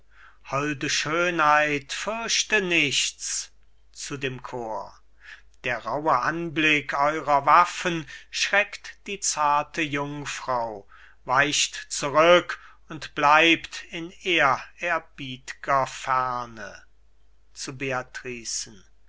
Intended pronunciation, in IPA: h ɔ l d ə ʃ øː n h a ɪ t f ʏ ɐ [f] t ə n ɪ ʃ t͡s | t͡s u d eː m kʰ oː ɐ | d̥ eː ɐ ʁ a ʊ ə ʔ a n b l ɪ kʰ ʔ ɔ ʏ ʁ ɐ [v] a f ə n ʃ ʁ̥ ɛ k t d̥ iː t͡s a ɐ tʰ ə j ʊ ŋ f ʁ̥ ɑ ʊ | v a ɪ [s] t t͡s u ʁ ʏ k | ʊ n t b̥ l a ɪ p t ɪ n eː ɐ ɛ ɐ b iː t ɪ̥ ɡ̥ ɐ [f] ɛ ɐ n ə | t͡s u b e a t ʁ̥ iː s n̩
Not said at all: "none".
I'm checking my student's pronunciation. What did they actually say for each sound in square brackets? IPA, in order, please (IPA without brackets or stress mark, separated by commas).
ʃ, v, ʃ, f